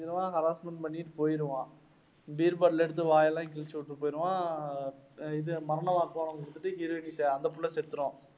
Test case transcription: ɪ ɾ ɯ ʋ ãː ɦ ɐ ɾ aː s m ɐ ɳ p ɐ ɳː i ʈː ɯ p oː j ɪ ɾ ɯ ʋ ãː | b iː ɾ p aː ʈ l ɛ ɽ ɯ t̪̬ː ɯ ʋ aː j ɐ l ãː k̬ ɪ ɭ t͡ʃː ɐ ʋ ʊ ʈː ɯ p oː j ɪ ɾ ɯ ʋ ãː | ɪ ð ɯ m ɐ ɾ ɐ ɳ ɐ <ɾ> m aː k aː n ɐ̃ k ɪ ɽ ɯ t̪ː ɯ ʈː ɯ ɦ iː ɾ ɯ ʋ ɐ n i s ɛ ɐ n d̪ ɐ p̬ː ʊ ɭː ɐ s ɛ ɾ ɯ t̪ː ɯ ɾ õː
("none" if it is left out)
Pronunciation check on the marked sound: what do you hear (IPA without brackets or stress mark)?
none